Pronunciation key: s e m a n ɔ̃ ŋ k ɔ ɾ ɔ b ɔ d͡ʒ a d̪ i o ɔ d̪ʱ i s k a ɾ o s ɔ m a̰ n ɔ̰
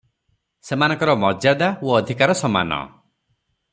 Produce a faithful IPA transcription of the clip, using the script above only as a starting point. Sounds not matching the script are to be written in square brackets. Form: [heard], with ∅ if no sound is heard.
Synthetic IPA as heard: s e m a n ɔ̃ ŋ k ɔ ɾ ɔ [m] ɔ d͡ʒ a d̪ [a] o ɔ d̪ʱ i [∅] k a ɾ [ɔ] s ɔ m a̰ n ɔ̰